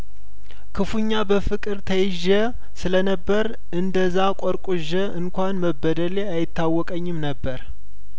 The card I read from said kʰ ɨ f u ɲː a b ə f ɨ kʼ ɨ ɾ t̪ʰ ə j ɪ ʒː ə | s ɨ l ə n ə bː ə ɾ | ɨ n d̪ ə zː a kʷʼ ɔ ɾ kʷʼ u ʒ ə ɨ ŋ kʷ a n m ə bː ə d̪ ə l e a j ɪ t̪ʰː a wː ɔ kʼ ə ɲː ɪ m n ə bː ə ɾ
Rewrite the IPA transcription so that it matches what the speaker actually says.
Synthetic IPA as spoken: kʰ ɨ f u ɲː a b ə f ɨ kʼ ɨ ɾ t̪ʰ ə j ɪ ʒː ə | s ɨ l ə n ə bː ə ɾ | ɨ n d̪ ə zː a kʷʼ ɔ ɾ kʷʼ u ʒ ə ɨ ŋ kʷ a n m ə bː ə d̪ ə l e a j ɪ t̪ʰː a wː ɔ kʼ ə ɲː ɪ m n ə bː ə ɾ